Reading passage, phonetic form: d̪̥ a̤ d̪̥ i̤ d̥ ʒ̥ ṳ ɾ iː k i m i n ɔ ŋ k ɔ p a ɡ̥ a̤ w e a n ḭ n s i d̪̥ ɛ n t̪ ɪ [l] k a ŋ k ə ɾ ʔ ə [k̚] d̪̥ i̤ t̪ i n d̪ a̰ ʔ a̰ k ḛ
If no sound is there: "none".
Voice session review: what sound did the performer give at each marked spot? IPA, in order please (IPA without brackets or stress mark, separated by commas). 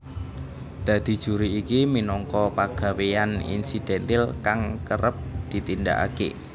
l, p̚